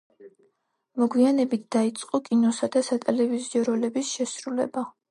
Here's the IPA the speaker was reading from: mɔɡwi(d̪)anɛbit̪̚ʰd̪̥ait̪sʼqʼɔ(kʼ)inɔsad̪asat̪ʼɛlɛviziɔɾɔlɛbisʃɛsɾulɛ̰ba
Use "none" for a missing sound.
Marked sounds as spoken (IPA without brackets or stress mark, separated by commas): none, kʼ